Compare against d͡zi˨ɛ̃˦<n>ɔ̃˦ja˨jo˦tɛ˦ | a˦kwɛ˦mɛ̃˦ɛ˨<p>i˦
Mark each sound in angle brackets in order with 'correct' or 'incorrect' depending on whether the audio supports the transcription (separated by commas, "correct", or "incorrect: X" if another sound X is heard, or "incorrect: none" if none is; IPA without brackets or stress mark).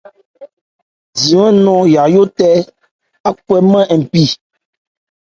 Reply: correct, correct